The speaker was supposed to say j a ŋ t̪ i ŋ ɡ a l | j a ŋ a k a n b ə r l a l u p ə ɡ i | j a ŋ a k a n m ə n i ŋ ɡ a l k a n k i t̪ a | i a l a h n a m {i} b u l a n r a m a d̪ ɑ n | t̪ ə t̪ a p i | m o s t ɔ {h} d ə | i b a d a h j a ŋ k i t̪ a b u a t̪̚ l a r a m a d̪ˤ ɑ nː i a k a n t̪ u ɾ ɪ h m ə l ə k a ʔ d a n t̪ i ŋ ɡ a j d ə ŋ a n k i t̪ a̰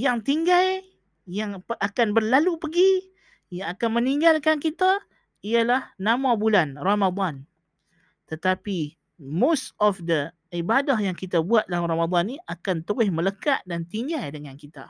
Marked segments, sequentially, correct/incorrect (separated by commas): incorrect, incorrect